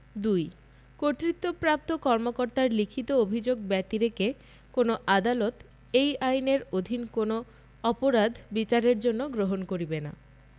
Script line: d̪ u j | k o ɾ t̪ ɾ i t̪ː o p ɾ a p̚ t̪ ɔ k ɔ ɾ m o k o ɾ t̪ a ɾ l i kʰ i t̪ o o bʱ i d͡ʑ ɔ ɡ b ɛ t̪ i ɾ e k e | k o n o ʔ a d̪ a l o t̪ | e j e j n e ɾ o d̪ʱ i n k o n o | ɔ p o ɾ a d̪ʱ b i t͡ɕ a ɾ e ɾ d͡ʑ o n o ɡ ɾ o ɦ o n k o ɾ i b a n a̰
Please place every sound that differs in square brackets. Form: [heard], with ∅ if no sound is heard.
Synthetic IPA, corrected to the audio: d̪ u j | k o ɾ t̪ ɾ i t̪ː o p ɾ a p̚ t̪ [o] k ɔ ɾ m o k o ɾ t̪ a ɾ l i kʰ i t̪ o o bʱ i d͡ʑ [o] ɡ b ɛ t̪ i ɾ e k e | k o n o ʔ a d̪ a l o t̪ | e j [a] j n e ɾ o d̪ʱ i n k o n o | ɔ p o ɾ a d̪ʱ b i t͡ɕ a ɾ e ɾ d͡ʑ o [nː] o ɡ ɾ o ɦ o n k o ɾ i b [e] n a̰